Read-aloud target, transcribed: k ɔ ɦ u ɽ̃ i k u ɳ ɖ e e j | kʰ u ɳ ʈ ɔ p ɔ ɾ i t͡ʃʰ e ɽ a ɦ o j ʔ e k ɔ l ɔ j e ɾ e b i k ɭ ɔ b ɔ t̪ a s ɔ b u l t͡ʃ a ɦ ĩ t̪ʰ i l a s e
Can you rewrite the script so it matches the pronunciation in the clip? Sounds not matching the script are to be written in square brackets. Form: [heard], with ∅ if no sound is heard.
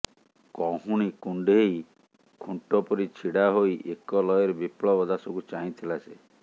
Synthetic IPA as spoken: k ɔ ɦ u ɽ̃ i k u ɳ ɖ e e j | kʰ u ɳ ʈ ɔ p ɔ ɾ i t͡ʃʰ [i] ɽ a ɦ o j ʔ e k ɔ l ɔ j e ɾ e b i [p] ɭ ɔ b ɔ [d̪] a s ɔ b u [∅] t͡ʃ a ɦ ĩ t̪ʰ i l a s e